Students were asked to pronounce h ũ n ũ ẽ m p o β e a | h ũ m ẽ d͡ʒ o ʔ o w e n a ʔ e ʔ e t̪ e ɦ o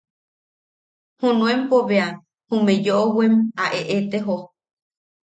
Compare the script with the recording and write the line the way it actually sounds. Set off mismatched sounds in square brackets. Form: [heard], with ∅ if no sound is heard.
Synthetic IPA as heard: h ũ n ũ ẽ m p o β e a | h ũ m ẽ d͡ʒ o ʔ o w e [m] a ʔ e ʔ e t̪ e ɦ o

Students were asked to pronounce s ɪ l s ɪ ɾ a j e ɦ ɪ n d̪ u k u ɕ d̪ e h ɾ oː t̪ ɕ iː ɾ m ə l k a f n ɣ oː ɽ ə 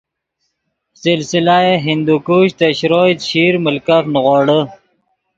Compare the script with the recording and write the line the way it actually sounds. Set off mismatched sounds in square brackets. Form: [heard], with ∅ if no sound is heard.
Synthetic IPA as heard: s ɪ l s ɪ [l] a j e ɦ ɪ n d̪ u k u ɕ [t̪] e [ɕ] ɾ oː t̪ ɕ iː ɾ m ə l k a f n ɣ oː ɽ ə

